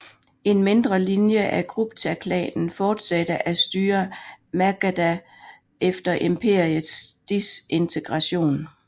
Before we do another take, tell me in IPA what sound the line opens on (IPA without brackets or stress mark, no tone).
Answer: e̝